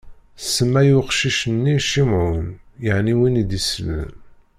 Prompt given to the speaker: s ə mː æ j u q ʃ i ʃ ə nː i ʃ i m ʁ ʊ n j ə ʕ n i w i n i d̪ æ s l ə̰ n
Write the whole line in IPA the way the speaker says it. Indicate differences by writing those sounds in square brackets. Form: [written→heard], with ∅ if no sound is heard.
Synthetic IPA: s ə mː æ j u q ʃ i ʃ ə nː i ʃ i m [ʁ→ʕ] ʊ n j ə ʕ n i w i n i d̪ [æ→i] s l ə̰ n